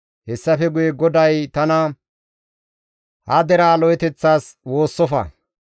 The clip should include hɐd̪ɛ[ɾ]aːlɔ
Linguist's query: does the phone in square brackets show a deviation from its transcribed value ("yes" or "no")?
no